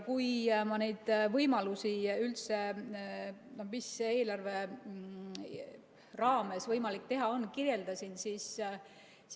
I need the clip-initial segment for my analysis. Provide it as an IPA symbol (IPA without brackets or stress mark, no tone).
k